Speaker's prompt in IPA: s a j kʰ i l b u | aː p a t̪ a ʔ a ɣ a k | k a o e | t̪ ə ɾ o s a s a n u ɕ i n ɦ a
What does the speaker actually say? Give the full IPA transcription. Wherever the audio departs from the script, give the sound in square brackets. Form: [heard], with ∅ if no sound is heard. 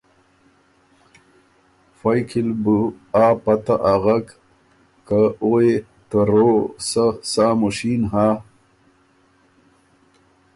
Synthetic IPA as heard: [f] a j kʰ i l b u | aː p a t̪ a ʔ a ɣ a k | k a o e | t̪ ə ɾ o s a s a [m] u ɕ i n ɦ a